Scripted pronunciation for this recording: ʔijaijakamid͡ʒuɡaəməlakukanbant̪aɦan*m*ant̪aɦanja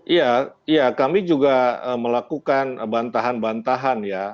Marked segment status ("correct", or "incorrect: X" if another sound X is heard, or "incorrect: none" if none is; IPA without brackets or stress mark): incorrect: b